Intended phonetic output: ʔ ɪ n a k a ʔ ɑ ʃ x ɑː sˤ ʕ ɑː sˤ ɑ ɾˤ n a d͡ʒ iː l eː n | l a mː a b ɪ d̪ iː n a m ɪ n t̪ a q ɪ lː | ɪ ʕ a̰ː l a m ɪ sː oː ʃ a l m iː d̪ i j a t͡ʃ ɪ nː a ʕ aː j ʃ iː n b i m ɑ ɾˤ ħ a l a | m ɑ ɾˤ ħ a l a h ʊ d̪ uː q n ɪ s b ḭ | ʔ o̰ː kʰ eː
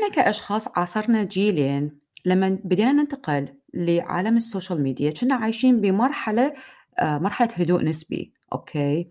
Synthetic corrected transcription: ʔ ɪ n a k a ʔ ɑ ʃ x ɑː sˤ ʕ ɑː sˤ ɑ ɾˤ n a d͡ʒ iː l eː n | l a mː a b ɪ d̪ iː n a n ɪ n t̪ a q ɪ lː | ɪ ʕ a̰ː l a m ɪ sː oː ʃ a l m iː d̪ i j a t͡ʃ ɪ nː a ʕ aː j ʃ iː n b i m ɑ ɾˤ ħ a l a | m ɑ ɾˤ ħ a l a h ʊ d̪ uː ʔ n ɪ s b ḭ | ʔ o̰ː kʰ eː